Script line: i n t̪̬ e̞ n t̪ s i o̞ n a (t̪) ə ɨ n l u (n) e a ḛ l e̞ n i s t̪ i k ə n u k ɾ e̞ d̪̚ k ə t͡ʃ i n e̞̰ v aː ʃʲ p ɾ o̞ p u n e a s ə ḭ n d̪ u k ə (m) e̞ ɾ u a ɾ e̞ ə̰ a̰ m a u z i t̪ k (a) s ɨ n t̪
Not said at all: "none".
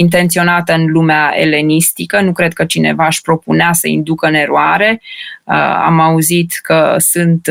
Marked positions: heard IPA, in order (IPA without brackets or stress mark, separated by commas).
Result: t̪, m, n, ə